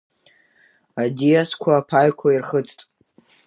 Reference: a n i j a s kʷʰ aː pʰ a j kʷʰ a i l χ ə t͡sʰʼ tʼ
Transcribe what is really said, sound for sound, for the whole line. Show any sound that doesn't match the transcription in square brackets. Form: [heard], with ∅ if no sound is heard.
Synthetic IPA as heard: a [d] i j a s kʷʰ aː pʰ a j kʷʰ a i [r] χ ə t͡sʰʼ tʼ

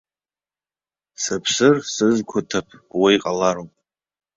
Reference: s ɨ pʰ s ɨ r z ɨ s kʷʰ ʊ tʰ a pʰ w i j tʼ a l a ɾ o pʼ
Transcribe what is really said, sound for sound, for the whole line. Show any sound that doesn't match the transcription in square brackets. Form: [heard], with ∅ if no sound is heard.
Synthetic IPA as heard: s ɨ pʰ s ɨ r [s] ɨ [z] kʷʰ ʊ tʰ a pʰ w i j [qʼ] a l a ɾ o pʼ

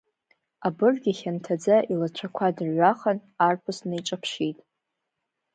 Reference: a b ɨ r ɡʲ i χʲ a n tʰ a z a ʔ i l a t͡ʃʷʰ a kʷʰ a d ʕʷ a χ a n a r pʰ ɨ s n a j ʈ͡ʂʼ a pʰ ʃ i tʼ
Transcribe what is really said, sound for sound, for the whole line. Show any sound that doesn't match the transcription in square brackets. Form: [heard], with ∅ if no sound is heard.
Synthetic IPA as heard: a b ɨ r ɡʲ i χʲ a n tʰ a [d͡z] a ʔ i l a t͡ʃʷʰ a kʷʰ a d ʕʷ a χ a n a r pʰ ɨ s n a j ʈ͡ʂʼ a pʰ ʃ i tʼ

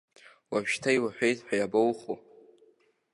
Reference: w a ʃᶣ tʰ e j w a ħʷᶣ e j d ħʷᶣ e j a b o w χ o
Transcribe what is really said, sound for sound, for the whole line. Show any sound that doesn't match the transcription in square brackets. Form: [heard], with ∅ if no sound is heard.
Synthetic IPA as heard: w a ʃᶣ tʰ [a] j w a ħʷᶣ e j [t] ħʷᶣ [a] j a b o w χ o

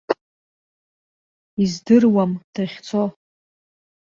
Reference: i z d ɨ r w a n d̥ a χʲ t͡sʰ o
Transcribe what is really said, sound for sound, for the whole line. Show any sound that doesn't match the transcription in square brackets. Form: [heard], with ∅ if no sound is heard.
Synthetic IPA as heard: i z d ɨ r w a [m] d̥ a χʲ t͡sʰ o

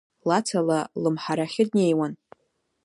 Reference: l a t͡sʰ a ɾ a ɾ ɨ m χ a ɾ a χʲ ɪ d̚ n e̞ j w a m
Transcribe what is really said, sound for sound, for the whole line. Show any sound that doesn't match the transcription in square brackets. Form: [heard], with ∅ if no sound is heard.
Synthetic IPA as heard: l a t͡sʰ a [l] a [l] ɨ m [ħ] a ɾ a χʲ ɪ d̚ n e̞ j w a [n]

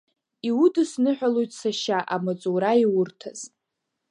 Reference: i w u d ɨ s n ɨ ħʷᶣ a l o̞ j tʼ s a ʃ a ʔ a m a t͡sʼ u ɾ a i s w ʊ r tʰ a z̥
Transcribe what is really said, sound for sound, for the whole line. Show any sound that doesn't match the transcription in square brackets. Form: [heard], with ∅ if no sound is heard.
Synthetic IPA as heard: i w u d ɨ s n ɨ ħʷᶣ a l o̞ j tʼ s a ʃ a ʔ a m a t͡sʼ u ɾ a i [∅] w ʊ r tʰ a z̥

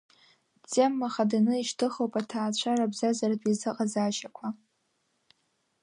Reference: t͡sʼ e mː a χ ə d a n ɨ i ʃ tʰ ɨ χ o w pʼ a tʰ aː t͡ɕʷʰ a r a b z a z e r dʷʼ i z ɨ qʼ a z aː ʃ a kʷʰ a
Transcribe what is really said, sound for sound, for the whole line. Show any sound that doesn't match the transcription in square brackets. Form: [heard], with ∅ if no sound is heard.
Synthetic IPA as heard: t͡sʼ e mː a χ [a] d a n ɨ i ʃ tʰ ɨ χ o w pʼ a tʰ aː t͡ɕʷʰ a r a b z a z [a] r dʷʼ i z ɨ qʼ a z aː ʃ a kʷʰ a

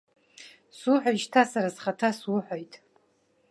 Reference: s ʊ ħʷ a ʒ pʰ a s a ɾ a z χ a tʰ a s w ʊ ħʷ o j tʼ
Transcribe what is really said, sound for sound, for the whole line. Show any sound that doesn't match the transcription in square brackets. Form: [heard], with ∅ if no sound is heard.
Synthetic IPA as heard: s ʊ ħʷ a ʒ [tʰ] a s a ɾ a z χ a tʰ a s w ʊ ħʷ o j tʼ

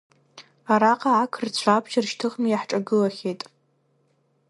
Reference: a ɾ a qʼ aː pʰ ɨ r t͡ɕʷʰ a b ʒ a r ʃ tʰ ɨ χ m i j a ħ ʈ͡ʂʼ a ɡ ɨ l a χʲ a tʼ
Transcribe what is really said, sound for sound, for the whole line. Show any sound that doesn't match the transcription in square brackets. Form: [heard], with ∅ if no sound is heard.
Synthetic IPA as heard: a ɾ a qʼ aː [kʰ] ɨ r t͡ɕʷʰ a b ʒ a r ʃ tʰ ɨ χ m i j a ħ ʈ͡ʂʼ a ɡ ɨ l a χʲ [e] tʼ

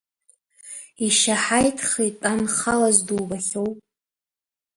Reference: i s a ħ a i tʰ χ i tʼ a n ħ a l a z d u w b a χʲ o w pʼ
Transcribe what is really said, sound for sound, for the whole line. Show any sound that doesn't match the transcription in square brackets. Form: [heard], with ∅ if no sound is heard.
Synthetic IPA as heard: i [ʃ] a ħ a [j] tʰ χ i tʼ a n [χ] a l a z d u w b a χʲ o w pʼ

